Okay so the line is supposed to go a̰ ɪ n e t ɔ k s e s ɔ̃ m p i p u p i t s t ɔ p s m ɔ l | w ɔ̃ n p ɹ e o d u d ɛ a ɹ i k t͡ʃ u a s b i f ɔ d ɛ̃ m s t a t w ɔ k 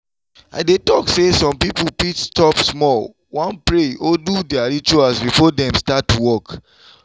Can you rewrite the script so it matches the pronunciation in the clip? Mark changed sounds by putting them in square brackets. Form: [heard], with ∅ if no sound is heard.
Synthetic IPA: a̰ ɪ [d] e t ɔ k s e s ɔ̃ m p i p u p i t s t ɔ p s m ɔ l | w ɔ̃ n p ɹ e o d u d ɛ a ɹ i [∅] t͡ʃ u a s b i f ɔ d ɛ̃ m s t a t w ɔ k